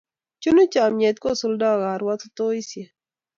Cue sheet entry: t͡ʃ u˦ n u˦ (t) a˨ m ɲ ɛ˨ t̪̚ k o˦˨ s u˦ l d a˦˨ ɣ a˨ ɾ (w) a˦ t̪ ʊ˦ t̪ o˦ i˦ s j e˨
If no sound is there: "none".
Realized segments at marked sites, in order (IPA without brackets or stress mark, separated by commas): t͡ʃ, w